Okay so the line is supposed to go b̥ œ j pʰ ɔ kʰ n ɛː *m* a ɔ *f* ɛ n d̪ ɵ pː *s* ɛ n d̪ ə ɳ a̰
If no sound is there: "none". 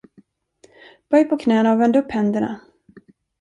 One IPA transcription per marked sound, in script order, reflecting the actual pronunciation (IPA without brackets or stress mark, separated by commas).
n, v, h